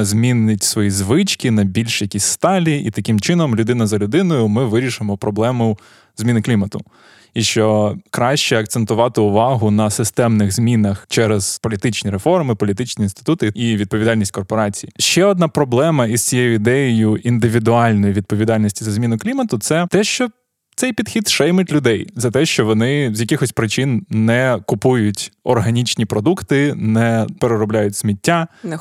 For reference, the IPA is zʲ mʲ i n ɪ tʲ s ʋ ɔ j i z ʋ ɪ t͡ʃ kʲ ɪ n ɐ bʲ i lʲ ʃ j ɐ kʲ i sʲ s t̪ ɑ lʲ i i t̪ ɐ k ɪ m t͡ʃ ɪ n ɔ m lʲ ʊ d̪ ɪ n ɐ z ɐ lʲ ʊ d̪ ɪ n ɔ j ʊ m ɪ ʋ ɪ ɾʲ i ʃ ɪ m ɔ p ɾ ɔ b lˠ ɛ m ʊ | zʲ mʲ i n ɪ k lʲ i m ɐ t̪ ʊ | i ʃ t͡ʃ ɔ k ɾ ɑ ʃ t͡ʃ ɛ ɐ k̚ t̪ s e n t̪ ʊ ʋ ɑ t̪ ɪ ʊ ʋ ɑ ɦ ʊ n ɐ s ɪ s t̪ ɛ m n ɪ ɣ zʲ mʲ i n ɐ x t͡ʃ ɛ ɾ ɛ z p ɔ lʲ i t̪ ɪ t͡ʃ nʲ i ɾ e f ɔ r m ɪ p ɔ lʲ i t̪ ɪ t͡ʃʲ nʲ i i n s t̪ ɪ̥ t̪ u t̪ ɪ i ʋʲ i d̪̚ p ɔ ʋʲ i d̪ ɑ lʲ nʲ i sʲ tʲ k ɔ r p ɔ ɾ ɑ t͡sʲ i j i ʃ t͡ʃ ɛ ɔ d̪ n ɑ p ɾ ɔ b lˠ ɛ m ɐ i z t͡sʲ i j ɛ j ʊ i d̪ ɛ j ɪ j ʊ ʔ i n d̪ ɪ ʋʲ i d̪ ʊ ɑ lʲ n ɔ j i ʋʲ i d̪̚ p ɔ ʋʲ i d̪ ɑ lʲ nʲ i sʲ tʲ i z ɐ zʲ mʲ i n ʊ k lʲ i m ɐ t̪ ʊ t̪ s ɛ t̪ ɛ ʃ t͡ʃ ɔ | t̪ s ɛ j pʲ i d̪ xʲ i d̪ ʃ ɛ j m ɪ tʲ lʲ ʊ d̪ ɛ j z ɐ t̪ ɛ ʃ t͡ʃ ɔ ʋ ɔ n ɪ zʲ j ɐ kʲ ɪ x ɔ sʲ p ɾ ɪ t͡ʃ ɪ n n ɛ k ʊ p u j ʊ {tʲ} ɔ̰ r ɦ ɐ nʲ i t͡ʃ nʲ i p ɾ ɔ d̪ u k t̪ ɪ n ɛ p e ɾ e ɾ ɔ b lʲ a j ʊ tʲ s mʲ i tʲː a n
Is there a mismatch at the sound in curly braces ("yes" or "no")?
no